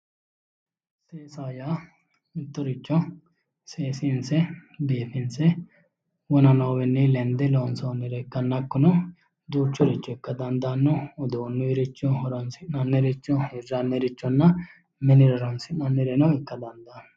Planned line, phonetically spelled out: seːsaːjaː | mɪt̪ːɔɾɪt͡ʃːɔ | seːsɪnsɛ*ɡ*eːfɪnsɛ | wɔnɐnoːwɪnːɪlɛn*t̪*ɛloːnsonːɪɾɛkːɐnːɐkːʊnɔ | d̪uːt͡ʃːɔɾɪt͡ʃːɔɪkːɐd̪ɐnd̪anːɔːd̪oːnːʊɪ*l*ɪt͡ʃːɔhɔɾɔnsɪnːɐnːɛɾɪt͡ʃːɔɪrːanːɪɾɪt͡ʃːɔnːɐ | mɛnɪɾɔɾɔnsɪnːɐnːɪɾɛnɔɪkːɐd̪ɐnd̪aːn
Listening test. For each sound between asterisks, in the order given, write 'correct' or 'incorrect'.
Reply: incorrect, incorrect, incorrect

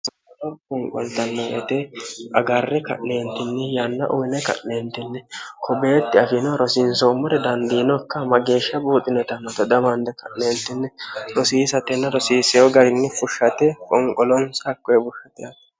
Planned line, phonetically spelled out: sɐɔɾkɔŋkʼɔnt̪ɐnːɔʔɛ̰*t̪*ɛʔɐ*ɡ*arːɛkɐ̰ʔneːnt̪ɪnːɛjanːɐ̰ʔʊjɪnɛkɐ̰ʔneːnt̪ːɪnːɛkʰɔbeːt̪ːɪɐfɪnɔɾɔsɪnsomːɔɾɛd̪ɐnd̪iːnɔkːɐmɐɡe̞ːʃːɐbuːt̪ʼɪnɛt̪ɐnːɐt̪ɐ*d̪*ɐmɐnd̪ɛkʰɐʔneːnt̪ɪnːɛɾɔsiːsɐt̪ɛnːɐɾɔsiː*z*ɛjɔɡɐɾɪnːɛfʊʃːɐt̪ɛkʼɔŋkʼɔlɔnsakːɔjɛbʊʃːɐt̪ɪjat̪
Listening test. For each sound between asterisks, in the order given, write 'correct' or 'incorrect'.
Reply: correct, correct, correct, incorrect

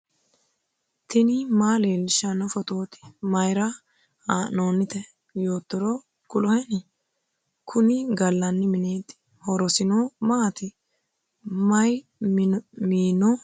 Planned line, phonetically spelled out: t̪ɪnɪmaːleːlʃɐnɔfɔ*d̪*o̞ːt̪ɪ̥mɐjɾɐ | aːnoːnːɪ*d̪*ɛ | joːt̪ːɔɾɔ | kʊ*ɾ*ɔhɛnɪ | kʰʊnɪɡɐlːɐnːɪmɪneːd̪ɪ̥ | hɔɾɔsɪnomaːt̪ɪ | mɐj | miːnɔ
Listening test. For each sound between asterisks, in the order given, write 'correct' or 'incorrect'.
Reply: incorrect, incorrect, incorrect

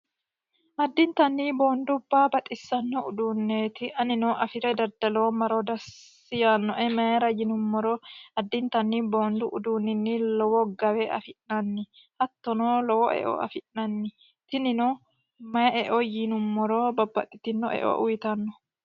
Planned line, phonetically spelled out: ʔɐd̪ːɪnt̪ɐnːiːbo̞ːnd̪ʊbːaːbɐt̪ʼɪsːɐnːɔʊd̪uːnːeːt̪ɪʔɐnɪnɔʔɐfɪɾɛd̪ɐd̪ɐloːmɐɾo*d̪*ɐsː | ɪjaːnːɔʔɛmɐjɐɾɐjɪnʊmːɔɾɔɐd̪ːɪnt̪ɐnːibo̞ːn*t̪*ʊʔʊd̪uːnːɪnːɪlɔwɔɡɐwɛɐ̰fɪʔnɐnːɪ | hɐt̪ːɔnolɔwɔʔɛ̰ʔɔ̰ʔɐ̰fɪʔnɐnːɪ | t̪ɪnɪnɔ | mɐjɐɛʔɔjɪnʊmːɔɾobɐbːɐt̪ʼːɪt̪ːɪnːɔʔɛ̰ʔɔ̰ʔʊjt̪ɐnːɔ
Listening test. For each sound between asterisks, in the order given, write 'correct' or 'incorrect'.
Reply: correct, incorrect

